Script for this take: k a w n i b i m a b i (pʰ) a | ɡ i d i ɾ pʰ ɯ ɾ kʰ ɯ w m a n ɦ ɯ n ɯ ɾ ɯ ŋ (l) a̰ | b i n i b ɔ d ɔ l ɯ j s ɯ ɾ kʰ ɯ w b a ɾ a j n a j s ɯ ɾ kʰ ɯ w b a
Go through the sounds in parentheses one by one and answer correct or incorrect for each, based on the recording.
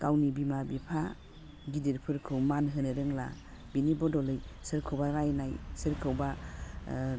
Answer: correct, correct

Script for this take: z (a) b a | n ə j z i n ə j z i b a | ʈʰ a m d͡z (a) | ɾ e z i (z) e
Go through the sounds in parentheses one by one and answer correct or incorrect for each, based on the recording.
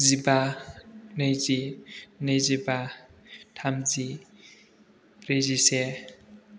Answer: incorrect, incorrect, incorrect

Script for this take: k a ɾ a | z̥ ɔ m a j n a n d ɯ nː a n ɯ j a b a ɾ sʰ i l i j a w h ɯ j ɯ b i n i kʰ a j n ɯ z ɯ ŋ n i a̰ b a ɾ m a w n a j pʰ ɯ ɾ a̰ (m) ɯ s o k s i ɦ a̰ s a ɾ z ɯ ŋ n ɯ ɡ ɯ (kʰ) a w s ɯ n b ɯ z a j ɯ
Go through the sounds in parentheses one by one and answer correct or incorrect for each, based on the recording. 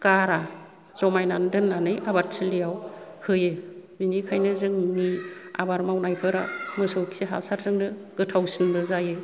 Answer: correct, incorrect

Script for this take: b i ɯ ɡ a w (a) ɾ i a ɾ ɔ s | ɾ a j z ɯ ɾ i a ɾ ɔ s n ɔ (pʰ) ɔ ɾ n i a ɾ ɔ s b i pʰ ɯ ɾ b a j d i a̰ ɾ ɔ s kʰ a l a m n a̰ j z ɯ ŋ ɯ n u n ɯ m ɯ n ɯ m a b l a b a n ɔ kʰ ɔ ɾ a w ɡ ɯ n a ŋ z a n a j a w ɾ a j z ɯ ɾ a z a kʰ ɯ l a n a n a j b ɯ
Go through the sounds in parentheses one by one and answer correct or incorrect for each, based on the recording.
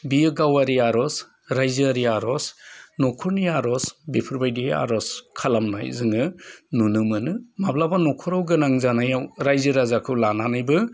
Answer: correct, incorrect

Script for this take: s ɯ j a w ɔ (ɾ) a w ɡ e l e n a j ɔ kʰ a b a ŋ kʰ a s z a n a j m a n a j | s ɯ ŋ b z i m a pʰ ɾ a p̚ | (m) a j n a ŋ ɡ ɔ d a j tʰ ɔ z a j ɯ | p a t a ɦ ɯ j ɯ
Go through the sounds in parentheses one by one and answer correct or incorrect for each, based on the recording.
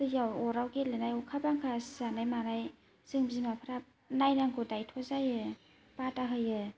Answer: correct, incorrect

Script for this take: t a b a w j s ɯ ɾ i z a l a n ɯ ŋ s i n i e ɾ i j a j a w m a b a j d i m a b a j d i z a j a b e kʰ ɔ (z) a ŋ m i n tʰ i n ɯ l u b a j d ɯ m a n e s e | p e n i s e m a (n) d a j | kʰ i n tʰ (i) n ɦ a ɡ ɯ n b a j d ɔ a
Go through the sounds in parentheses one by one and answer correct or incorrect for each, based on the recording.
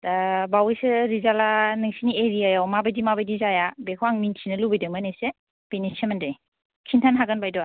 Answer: incorrect, correct, incorrect

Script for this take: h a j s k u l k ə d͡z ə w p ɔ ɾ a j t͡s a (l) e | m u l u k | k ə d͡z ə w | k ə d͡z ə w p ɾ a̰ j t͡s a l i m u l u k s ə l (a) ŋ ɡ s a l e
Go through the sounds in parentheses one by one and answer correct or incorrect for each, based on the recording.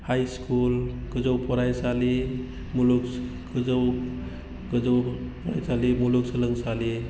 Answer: correct, incorrect

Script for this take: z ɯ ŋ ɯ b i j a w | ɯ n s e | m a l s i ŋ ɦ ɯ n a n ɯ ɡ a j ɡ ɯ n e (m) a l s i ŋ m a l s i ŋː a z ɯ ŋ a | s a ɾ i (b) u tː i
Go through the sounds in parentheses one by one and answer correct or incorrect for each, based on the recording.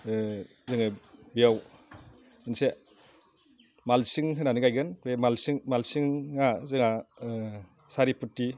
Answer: correct, incorrect

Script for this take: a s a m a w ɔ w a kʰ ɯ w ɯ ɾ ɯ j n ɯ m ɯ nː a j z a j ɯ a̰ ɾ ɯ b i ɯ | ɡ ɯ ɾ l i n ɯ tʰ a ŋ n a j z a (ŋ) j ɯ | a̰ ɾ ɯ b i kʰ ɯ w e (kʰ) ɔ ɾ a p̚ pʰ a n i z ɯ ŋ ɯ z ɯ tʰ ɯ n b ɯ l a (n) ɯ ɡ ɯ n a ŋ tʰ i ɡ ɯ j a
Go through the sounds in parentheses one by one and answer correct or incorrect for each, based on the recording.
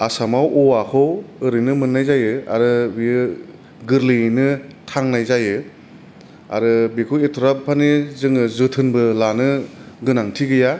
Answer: incorrect, incorrect, correct

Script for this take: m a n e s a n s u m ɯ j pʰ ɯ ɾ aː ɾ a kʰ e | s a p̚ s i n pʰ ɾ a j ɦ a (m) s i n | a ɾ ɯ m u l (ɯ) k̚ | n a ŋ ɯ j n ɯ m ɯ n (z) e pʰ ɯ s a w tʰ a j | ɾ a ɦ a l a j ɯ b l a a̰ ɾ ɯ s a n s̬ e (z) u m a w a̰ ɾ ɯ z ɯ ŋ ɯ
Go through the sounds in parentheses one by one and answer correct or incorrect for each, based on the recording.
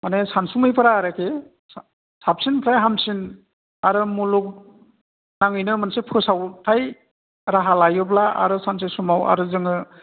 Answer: correct, incorrect, incorrect, incorrect

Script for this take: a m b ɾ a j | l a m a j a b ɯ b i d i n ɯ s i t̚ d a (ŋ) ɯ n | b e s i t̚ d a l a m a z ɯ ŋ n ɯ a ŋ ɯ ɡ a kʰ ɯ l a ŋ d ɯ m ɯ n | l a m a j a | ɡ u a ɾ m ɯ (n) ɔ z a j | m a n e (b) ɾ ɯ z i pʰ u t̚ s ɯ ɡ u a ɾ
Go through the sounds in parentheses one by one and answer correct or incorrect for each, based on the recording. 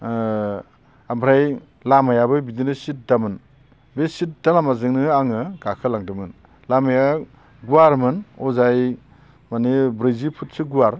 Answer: incorrect, correct, correct

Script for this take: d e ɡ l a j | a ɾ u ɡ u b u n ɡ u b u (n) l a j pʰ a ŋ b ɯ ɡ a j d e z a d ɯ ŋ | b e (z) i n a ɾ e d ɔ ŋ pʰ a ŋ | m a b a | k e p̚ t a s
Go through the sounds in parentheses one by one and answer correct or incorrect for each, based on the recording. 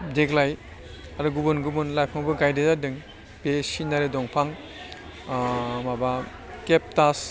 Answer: correct, incorrect

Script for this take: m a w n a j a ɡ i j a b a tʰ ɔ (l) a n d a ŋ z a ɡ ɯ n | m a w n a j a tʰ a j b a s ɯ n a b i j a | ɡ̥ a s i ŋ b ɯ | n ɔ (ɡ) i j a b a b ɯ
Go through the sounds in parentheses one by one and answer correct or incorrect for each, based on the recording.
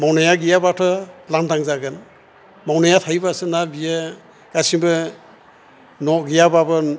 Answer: correct, correct

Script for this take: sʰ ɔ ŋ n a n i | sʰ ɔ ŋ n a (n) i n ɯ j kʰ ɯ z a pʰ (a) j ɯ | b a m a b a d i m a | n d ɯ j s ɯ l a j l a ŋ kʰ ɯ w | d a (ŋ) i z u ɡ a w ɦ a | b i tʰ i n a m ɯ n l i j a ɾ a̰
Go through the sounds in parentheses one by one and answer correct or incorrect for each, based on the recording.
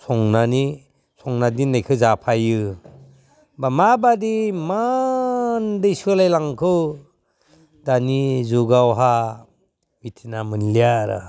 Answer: incorrect, correct, incorrect

